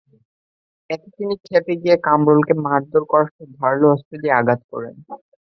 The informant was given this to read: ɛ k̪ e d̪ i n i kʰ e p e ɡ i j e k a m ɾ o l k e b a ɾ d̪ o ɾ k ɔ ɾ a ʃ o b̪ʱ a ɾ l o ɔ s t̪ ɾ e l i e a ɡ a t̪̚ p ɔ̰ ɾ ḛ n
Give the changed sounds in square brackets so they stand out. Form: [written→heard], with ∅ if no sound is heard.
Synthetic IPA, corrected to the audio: ɛ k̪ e [d̪→t̪] i n i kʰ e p e ɡ i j e k a m ɾ o l k e [b→m] a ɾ d̪ o ɾ k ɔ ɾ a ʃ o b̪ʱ a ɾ l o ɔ s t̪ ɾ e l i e a ɡ a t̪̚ [p→k] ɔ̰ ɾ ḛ n